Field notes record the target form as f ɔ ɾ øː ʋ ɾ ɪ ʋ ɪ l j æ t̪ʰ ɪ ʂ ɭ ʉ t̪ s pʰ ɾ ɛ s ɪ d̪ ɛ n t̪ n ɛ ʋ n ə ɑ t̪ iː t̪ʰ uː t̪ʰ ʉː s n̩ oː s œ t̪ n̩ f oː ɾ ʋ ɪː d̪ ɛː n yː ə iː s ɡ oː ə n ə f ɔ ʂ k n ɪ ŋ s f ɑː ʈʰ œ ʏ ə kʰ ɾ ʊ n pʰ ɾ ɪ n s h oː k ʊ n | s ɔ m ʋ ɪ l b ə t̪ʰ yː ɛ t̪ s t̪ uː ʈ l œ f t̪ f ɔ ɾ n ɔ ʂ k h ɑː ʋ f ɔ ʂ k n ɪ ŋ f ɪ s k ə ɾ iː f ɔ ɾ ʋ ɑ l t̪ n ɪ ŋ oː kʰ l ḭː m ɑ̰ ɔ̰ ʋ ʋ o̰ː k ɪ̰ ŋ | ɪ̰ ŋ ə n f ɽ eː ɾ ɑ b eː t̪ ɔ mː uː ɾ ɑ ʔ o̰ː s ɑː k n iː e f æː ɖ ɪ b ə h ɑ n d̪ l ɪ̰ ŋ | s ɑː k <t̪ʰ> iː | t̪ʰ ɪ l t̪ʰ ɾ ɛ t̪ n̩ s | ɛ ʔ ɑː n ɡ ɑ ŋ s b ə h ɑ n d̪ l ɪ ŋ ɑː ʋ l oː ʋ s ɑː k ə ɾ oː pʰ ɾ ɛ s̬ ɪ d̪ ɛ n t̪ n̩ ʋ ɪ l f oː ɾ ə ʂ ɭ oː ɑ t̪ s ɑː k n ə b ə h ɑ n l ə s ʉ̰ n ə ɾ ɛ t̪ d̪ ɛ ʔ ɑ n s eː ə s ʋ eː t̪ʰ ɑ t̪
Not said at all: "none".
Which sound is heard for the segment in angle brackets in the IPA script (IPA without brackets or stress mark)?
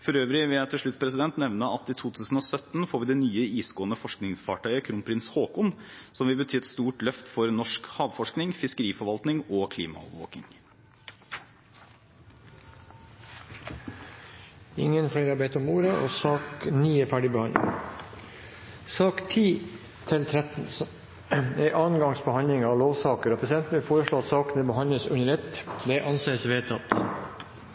t̪ʰ